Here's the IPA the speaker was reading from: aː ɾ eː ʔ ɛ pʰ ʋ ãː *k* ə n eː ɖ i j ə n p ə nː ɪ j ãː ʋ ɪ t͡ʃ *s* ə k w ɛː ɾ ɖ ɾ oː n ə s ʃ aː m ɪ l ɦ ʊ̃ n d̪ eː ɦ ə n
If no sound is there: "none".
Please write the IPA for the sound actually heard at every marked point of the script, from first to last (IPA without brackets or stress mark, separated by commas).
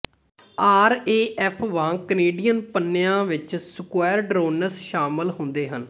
k, s